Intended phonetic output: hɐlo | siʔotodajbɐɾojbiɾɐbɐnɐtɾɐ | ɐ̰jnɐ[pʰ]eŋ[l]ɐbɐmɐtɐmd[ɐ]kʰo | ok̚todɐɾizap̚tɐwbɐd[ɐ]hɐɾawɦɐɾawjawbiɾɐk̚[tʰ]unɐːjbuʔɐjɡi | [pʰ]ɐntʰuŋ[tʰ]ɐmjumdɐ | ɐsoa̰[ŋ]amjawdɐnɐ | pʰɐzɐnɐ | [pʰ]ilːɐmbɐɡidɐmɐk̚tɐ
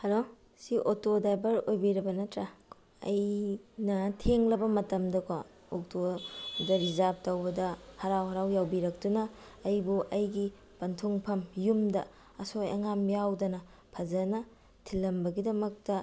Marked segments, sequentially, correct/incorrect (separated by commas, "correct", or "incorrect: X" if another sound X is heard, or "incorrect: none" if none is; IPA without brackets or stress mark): incorrect: tʰ, correct, correct, correct, incorrect: t, incorrect: p, incorrect: pʰ, correct, incorrect: tʰ